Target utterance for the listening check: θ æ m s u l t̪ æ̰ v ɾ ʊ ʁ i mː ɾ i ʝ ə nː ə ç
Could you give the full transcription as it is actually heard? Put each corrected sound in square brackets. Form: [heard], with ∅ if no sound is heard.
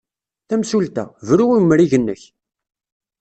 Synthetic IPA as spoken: θ æ m s u l t̪ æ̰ v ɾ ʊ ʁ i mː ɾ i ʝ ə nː ə ç